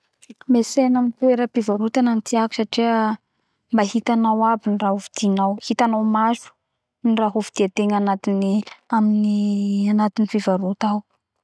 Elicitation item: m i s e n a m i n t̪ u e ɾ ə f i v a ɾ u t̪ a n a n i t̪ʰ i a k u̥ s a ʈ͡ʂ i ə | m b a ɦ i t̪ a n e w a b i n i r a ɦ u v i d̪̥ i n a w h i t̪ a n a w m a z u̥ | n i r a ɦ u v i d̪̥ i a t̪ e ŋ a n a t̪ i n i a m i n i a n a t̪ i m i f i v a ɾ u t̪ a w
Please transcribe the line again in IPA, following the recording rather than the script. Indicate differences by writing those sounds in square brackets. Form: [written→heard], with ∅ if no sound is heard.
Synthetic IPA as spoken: m [i→e] s e n a m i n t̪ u e ɾ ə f i v a ɾ u t̪ a n a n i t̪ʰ i a k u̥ s a ʈ͡ʂ i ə | m b a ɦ i t̪ a n [e→a] w a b i n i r a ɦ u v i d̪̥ i n a w h i t̪ a n a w m a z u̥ | n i r a ɦ u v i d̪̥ i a t̪ e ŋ a n a t̪ i n i a m i n i a n a t̪ i [m→n] i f i v a ɾ u t̪ a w